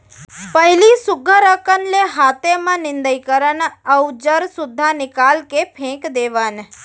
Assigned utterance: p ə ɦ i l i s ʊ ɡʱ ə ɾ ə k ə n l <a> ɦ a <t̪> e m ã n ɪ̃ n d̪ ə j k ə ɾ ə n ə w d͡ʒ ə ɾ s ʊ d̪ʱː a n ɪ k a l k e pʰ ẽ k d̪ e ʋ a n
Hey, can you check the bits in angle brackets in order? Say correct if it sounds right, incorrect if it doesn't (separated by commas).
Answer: incorrect, correct